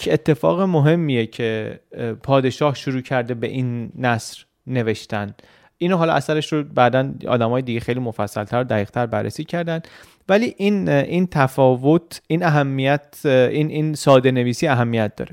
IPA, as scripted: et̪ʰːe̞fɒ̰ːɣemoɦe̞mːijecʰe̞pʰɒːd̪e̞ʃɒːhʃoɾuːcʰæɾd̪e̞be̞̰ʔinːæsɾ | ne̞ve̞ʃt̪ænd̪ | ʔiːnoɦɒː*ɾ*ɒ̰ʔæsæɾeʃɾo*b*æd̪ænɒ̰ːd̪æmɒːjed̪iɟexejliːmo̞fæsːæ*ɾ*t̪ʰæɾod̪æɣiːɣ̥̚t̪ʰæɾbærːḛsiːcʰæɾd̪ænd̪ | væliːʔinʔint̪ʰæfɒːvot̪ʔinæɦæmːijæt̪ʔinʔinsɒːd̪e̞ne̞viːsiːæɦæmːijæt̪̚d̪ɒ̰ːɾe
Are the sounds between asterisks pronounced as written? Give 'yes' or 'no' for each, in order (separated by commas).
no, yes, no